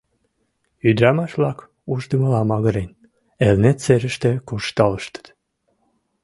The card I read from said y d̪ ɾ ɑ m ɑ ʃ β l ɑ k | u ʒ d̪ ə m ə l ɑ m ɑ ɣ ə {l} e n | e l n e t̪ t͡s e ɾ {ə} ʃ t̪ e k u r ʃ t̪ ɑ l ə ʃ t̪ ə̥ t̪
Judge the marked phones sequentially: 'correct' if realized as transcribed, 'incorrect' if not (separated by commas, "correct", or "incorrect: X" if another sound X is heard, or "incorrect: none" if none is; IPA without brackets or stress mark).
incorrect: ɾ, correct